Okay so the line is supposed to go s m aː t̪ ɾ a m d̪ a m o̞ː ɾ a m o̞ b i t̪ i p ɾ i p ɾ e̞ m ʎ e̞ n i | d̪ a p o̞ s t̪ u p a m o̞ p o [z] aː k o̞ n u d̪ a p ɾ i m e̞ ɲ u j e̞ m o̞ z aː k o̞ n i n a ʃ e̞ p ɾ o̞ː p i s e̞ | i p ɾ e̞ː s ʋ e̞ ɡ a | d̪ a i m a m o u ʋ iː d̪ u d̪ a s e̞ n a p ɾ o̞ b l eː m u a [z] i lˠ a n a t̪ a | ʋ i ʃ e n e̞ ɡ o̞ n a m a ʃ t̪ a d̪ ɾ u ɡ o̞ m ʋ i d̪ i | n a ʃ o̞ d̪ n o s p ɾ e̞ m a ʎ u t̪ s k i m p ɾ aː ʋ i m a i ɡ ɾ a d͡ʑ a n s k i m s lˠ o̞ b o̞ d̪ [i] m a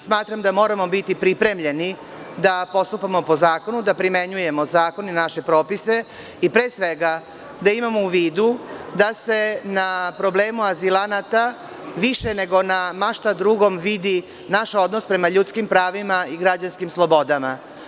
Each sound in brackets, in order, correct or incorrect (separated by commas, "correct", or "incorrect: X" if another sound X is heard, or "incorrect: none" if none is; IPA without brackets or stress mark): correct, correct, incorrect: a